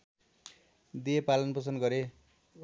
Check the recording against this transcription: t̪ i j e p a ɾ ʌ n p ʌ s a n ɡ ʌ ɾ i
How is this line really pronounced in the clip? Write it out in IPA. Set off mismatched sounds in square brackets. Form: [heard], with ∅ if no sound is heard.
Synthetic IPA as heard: [d̪] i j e p a [l] ʌ n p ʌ s [ʌ] n ɡ ʌ ɾ [e]